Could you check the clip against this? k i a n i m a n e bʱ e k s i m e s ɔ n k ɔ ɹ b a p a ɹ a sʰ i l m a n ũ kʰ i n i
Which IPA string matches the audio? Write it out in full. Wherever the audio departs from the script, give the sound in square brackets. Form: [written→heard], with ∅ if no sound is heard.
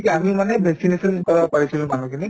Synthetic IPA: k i a [n→m] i m a n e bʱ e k s i [m→n] e s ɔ n k ɔ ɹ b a p a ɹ [a→i] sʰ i l m a n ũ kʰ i n i